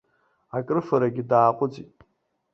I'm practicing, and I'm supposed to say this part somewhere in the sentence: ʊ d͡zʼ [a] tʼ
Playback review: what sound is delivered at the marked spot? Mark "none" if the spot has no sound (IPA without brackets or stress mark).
i